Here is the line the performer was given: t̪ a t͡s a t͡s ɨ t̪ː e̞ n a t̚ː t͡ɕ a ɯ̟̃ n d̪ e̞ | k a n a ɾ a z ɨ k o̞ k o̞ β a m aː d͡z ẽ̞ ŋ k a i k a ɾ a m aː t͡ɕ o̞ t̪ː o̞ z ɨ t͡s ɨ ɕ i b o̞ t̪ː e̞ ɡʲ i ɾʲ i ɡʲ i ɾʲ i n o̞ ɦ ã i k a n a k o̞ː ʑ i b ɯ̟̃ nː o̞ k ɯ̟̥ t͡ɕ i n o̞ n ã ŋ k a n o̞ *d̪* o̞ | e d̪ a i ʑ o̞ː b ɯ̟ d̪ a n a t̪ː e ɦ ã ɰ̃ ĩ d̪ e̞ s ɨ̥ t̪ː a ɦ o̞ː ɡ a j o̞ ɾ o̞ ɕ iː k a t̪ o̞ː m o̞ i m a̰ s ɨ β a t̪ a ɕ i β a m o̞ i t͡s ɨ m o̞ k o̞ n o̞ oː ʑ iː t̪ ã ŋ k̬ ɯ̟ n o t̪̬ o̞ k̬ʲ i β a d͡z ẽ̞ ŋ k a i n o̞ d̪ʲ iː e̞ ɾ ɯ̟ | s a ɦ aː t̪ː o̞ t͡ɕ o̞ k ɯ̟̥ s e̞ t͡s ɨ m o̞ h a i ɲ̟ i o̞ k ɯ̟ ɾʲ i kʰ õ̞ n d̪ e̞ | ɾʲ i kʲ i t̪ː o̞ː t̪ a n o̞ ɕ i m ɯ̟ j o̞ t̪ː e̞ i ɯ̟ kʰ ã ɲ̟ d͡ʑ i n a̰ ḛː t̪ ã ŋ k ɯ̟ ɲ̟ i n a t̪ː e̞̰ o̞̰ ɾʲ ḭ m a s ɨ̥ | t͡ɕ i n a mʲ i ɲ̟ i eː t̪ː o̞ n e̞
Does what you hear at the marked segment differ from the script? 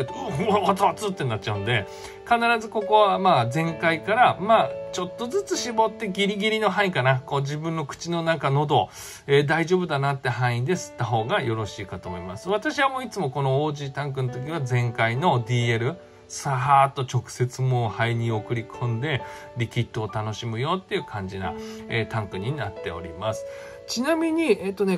no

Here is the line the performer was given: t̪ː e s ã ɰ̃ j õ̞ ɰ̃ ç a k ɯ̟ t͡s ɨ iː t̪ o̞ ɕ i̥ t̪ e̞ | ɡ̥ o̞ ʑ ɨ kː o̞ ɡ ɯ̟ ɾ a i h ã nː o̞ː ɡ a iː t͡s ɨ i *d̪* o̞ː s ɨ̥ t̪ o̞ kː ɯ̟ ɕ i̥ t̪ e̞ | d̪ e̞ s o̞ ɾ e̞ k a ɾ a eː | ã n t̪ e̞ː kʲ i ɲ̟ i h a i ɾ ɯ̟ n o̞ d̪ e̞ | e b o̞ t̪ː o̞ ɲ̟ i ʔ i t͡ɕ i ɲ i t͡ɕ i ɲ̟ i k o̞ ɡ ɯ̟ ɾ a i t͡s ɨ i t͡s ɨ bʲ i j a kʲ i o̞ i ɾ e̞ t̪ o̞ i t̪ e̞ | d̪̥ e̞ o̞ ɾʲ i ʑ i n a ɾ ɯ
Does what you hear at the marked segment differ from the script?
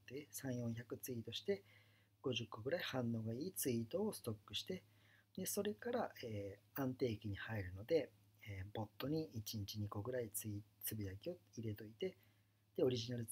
yes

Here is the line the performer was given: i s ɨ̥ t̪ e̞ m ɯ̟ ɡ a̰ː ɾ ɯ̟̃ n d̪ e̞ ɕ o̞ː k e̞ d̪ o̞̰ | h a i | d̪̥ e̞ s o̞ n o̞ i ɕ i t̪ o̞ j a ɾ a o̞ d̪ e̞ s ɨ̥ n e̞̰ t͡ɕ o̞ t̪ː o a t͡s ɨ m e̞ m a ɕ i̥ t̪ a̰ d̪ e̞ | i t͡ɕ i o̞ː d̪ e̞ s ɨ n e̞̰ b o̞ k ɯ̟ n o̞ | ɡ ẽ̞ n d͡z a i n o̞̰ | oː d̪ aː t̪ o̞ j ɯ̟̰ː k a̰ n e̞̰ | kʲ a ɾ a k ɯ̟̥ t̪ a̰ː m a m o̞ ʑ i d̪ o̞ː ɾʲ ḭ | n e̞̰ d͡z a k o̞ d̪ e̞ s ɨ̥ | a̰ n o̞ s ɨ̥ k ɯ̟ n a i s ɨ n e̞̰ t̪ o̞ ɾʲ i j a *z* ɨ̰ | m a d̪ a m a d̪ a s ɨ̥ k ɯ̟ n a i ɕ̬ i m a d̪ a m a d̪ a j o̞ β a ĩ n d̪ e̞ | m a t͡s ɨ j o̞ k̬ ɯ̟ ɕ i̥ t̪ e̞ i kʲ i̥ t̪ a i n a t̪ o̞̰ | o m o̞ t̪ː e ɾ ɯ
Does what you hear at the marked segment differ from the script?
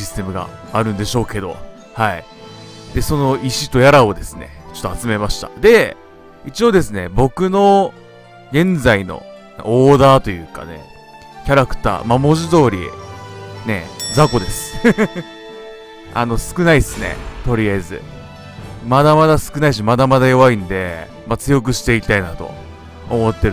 no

